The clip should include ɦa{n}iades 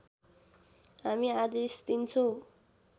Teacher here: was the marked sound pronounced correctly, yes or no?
no